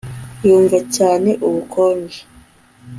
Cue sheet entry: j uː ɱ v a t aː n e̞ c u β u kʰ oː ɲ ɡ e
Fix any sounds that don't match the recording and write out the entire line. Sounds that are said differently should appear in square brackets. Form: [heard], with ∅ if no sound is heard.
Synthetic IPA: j uː ɱ v a [c] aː n e̞ [ʔ] u β u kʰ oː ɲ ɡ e